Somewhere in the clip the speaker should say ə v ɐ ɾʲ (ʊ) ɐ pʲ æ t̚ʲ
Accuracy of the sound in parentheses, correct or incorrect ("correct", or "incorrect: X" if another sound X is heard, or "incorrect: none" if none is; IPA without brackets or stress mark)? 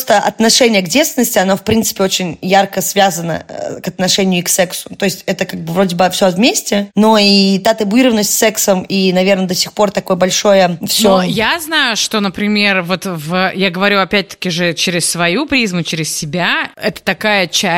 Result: incorrect: u